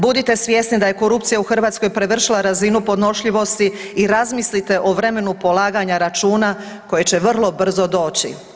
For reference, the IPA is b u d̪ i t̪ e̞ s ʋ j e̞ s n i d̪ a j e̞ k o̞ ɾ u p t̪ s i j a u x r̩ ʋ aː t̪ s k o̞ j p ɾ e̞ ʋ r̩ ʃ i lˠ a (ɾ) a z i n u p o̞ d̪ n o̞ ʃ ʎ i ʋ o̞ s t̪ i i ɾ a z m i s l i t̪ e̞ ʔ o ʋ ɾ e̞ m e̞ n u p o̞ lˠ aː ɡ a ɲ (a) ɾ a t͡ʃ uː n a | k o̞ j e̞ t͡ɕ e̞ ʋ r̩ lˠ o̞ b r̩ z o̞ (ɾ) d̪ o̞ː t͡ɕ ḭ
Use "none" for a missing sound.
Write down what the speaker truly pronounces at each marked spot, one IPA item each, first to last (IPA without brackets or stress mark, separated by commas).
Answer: ɾ, a, none